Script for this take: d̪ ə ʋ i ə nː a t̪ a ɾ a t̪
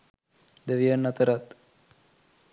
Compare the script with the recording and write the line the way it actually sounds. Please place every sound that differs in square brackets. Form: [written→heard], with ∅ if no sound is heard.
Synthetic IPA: d̪ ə ʋ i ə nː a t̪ [a→ə] ɾ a t̪